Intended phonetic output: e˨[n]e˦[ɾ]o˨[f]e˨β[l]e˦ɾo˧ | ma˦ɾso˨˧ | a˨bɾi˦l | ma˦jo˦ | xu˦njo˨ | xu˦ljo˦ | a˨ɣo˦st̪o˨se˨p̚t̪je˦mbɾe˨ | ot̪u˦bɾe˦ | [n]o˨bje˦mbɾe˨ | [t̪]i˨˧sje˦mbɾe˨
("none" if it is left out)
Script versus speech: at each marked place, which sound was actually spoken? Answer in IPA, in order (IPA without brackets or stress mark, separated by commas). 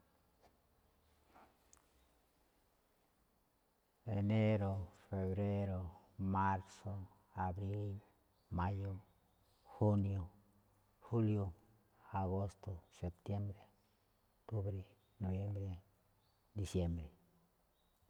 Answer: n, ɾ, f, ɾ, n, d̪